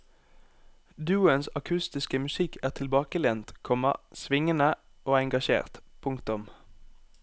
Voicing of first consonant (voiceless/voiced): voiced